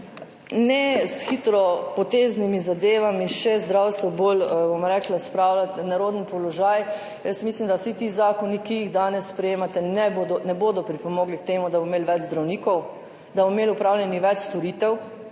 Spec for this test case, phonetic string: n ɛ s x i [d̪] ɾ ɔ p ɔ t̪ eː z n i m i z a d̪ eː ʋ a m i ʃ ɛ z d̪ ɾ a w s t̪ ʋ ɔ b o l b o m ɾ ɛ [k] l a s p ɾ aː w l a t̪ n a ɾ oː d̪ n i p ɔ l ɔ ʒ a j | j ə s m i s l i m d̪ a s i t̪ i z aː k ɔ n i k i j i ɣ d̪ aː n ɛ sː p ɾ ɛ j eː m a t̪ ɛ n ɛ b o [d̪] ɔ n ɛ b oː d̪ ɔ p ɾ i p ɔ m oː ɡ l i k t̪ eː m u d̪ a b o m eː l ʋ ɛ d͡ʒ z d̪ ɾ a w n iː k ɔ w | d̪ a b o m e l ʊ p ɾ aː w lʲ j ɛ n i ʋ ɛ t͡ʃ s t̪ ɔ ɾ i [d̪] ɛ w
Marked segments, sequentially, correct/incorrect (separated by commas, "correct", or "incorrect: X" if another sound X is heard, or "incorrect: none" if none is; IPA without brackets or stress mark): incorrect: t̪, correct, correct, incorrect: t̪